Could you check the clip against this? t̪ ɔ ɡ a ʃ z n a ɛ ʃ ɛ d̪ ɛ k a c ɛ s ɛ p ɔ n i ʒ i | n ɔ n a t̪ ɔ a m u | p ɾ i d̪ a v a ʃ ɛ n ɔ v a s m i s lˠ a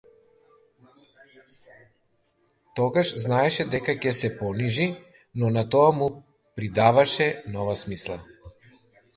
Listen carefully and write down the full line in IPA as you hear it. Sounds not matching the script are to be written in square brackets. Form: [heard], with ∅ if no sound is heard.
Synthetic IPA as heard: t̪ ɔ ɡ a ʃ z n a ɛ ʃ ɛ d̪ ɛ k a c ɛ s ɛ p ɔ n i ʒ i | n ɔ n a t̪ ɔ a m u | p ɾ i d̪ a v a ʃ ɛ n ɔ v a s m i s lˠ a